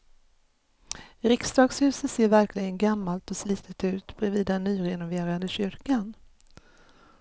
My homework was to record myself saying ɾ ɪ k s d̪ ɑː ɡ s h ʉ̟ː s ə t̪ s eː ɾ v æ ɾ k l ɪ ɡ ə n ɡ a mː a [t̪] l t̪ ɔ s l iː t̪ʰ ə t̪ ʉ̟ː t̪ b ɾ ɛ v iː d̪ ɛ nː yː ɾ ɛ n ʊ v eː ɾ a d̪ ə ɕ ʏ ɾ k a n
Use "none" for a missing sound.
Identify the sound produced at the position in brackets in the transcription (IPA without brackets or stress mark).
none